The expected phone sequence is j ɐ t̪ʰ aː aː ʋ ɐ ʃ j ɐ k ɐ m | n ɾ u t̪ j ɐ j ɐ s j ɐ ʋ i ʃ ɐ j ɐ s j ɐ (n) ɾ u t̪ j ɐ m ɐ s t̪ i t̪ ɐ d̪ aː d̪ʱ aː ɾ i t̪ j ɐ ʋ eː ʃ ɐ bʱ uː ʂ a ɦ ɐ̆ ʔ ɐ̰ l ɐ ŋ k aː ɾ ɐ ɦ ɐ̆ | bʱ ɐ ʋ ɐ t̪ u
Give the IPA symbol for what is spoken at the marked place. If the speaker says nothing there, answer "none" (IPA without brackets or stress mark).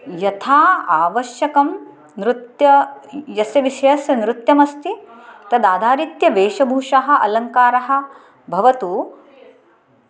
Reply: n